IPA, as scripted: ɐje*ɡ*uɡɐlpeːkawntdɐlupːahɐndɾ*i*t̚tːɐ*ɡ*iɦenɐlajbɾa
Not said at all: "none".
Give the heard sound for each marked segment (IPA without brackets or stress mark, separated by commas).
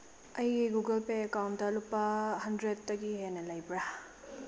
ɡ, e, ɡ